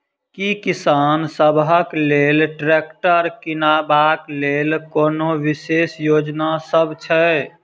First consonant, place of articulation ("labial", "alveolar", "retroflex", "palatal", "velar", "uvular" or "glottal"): velar